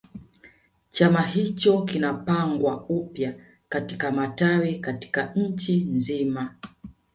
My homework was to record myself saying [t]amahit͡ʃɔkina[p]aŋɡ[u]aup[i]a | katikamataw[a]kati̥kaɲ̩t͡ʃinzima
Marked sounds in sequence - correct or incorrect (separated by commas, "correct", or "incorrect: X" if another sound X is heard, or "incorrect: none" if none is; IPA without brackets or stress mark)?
incorrect: t͡ʃ, correct, incorrect: w, incorrect: j, incorrect: i